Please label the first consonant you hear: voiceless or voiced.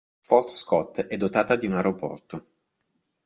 voiceless